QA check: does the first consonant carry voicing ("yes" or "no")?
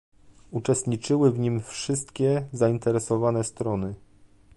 no